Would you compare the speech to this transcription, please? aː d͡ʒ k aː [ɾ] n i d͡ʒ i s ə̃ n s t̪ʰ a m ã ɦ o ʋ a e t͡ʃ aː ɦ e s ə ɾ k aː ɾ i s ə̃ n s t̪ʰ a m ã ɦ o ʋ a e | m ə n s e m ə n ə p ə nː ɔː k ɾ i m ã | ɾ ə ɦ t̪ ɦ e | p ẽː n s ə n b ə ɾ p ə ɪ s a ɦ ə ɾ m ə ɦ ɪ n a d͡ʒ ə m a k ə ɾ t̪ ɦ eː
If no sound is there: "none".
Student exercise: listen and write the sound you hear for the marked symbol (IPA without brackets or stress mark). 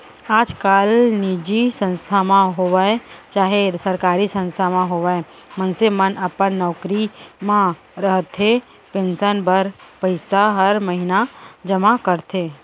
l